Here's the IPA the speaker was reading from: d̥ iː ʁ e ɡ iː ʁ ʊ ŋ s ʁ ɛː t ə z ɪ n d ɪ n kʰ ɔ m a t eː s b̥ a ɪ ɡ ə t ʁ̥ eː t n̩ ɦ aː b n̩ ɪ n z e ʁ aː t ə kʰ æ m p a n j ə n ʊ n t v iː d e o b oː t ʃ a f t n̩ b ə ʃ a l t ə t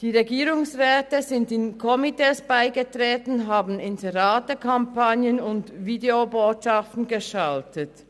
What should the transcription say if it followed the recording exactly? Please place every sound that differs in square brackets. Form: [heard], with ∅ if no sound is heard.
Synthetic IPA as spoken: d̥ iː ʁ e ɡ iː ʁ ʊ ŋ s ʁ ɛː t ə z ɪ n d ɪ n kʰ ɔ m [i] t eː s b̥ a ɪ ɡ ə t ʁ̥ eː t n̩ ɦ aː b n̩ ɪ n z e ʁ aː t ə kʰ [a] m p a n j ə n ʊ n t v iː d e o b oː t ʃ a f t n̩ [ɡ] ə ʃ a l t ə t